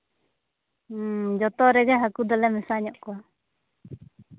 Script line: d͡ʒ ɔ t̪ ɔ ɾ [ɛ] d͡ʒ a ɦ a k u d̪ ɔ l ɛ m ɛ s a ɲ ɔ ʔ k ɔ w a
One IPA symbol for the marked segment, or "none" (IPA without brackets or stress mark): ɛ